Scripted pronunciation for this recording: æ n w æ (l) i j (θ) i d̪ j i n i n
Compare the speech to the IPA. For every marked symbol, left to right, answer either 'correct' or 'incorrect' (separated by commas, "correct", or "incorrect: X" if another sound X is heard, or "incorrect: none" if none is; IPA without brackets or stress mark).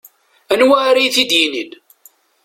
incorrect: ɾ, correct